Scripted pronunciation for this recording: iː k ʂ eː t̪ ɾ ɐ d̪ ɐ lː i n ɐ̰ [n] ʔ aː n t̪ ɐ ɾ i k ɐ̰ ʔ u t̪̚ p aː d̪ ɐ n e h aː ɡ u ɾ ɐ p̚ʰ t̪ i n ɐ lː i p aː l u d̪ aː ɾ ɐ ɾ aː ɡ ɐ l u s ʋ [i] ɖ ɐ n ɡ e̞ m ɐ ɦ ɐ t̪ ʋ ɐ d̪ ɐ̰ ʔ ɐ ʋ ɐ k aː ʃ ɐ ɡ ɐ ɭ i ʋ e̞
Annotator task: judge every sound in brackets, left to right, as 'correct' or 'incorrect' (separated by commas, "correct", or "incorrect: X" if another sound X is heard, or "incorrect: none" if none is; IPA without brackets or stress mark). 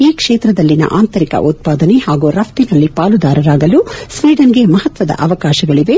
incorrect: none, incorrect: iː